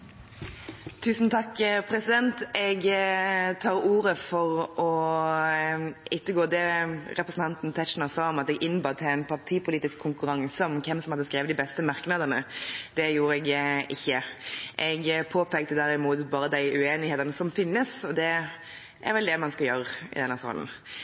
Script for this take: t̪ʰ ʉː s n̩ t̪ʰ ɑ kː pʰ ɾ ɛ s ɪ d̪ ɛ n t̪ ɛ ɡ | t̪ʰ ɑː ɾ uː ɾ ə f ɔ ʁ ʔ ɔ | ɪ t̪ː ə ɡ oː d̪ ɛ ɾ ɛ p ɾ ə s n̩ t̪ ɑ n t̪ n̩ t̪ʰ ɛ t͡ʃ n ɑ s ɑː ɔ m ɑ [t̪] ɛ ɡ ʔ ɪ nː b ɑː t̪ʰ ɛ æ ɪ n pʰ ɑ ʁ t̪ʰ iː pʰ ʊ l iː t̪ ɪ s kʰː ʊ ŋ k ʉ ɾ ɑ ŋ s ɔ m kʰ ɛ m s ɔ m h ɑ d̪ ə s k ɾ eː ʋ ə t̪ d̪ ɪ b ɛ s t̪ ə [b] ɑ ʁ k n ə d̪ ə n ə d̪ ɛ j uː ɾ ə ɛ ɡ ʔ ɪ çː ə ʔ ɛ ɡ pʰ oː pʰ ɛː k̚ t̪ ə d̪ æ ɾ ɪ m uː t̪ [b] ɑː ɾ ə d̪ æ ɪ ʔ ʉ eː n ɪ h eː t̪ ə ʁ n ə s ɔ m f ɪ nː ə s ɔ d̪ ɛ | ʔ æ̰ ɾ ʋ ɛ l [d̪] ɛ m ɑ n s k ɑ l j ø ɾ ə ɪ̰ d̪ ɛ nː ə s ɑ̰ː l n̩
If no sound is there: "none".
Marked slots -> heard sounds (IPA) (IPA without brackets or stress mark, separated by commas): t̪, m, b, d̪